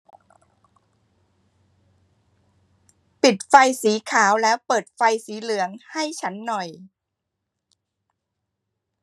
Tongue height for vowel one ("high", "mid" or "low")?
high